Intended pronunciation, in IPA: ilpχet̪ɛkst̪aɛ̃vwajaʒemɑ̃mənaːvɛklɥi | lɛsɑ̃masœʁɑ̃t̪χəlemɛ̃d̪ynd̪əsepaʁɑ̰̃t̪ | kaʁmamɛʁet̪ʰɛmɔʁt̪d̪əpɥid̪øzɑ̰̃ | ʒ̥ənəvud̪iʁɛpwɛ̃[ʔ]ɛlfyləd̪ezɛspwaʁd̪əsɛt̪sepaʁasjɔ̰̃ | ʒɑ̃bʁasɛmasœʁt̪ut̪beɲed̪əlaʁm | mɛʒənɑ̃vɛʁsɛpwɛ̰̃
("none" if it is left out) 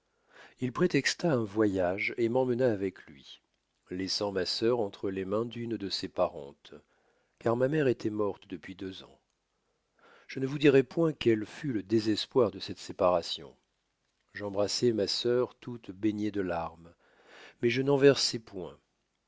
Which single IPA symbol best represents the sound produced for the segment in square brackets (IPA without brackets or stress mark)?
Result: k